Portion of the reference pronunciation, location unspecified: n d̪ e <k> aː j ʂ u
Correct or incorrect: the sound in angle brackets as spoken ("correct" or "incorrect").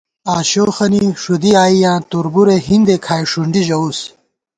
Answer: incorrect